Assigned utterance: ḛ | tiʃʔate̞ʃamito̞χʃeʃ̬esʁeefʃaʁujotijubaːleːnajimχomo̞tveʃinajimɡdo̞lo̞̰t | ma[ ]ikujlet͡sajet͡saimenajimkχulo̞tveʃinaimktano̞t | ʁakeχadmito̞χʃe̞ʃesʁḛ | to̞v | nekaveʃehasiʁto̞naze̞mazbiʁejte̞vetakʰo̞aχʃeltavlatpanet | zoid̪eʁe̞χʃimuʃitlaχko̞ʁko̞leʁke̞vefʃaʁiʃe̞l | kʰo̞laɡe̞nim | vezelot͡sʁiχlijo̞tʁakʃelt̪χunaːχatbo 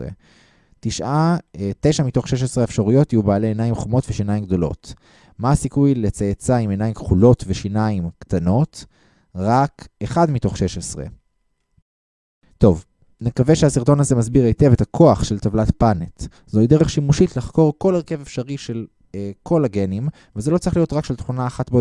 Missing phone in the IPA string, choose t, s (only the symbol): s